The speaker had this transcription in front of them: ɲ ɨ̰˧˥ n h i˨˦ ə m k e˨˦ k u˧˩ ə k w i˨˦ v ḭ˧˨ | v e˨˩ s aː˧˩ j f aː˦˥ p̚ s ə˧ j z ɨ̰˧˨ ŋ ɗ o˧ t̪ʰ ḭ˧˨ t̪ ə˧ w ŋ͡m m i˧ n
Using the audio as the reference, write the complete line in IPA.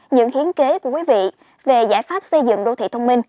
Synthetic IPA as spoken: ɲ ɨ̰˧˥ ŋ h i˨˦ ə n k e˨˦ k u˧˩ ə k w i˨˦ v ḭ˧˨ | v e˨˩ z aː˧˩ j f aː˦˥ p̚ s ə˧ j z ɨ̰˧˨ ŋ ɗ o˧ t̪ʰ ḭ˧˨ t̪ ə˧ w ŋ͡m m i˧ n